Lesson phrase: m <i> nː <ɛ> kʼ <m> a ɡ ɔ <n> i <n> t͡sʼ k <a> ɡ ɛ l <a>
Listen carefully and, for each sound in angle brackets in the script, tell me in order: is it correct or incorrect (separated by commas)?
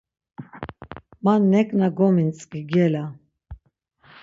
incorrect, correct, incorrect, incorrect, correct, incorrect, correct